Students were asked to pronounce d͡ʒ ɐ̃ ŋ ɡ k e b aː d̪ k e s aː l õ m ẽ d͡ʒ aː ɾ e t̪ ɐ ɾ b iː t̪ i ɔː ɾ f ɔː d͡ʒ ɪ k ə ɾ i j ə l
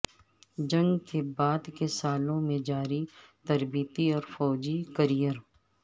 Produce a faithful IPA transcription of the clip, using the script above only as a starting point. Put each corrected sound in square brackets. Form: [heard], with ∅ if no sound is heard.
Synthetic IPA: d͡ʒ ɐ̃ ŋ ɡ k e b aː d̪ k e s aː l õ m ẽ d͡ʒ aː ɾ [i] t̪ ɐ ɾ b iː t̪ i ɔː ɾ f ɔː d͡ʒ [i] k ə ɾ i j ə [ɾ]